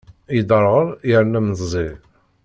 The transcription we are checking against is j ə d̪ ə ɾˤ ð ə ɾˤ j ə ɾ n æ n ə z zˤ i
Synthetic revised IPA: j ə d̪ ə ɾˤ ʁ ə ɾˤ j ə ɾ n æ m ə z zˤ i